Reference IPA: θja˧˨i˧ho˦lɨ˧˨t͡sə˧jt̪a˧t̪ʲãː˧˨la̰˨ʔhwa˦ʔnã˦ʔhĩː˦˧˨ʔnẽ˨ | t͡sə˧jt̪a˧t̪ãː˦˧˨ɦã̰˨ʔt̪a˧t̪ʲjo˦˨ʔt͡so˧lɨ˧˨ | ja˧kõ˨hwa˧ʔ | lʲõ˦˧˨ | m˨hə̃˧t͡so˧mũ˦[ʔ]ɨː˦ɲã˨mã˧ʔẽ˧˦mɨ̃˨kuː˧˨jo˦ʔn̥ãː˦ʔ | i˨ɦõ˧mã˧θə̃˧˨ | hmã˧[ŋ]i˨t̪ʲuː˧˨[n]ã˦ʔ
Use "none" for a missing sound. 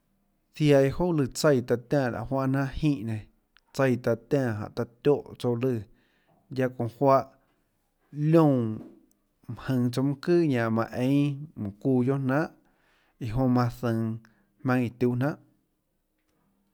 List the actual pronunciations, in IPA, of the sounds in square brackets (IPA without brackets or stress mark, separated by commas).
k, ŋ, n